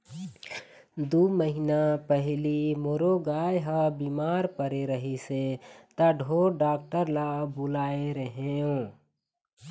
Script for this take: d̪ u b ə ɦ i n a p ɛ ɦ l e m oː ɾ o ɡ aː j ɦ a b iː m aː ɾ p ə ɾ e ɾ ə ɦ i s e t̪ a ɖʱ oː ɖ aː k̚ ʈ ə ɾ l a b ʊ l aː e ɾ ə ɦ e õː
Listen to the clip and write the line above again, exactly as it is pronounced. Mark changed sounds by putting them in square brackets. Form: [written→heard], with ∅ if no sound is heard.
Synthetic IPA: d̪ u [b→m] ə ɦ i n a p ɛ ɦ l [e→i] m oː ɾ o ɡ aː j ɦ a b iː m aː ɾ p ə ɾ e ɾ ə ɦ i s e t̪ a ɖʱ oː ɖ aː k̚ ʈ ə ɾ l a b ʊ l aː e ɾ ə ɦ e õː